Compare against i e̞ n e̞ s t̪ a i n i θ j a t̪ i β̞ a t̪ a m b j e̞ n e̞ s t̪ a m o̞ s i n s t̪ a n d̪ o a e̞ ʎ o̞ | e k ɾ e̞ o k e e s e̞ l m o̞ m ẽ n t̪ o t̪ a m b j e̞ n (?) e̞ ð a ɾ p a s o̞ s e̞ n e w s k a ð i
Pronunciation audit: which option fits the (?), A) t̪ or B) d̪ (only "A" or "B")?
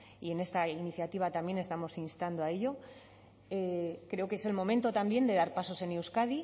B